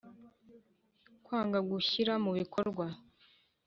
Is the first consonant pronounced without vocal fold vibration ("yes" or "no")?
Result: yes